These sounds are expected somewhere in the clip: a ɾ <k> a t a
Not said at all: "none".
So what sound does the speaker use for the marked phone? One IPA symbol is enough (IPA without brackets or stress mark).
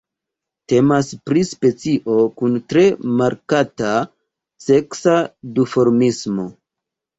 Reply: k